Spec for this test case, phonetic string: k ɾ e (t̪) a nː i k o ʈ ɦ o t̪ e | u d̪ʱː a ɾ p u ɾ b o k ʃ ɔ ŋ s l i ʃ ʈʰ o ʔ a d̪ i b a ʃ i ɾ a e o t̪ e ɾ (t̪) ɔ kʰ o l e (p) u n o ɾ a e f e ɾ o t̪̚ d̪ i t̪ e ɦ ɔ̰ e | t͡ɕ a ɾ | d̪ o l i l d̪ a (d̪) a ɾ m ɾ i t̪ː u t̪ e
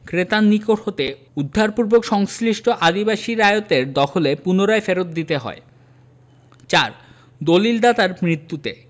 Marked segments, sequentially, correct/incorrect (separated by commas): correct, incorrect, correct, incorrect